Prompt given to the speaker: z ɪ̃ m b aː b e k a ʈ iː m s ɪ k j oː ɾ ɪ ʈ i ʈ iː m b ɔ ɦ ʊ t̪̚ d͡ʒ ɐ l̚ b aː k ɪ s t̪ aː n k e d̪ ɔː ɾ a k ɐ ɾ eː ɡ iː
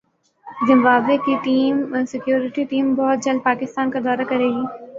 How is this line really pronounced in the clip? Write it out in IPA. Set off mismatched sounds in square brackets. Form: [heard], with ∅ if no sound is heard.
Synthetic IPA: z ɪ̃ m b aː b e k [i] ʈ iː m s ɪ k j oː ɾ ɪ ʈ i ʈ iː m b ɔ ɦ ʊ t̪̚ d͡ʒ ɐ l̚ [p] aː k ɪ s t̪ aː n k [a] d̪ ɔː ɾ a k ɐ ɾ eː ɡ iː